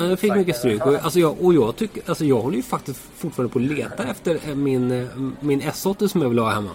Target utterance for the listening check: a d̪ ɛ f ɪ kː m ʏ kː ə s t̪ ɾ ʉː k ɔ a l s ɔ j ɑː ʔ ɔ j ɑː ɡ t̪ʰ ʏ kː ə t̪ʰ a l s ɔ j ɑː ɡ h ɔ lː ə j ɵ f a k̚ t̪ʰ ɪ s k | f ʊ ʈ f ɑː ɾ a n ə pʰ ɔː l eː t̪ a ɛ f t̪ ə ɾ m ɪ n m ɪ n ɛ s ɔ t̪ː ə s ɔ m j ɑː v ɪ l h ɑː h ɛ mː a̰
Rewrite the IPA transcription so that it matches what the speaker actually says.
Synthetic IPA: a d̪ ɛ f ɪ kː m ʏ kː ə s t̪ ɾ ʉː k ɔ a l s ɔ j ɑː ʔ ɔ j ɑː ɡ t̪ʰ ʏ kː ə a l s ɔ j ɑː ɡ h ɔ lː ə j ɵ f a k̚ t̪ ɪ s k | f ʊ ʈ f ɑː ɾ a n ə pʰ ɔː l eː t̪ a ɛ f t̪ ə ɾ m ɪ n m ɪ n ɛ s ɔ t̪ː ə s ɔ m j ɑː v ɪ l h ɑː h ɛ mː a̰